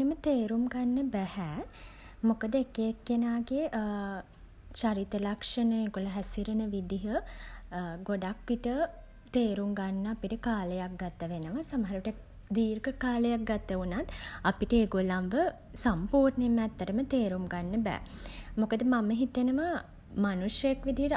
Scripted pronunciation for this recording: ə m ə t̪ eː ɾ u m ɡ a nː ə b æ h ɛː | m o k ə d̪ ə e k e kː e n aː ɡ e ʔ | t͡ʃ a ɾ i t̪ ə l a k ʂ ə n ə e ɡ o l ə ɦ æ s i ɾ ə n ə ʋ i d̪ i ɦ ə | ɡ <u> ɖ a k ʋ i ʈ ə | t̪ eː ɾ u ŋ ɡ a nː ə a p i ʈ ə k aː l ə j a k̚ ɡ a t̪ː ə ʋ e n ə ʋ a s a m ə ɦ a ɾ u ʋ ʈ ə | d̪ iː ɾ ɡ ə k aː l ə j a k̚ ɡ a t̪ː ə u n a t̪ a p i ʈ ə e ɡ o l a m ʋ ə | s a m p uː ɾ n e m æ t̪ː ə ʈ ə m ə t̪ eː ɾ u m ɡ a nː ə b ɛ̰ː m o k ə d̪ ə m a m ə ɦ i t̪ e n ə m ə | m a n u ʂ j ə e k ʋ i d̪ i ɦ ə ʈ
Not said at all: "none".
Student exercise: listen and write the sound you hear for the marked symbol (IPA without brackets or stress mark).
o